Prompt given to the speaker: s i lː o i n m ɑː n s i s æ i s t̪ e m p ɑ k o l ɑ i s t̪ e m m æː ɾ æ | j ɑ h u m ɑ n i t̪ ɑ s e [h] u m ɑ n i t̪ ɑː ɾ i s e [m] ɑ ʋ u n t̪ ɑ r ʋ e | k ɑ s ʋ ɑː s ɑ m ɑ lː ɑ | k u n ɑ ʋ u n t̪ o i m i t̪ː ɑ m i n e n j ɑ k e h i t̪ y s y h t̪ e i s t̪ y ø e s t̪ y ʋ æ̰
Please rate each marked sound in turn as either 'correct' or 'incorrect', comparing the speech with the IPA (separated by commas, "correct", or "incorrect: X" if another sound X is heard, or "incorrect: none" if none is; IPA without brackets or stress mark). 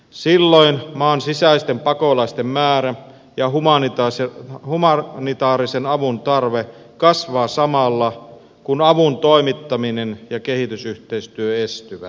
correct, incorrect: n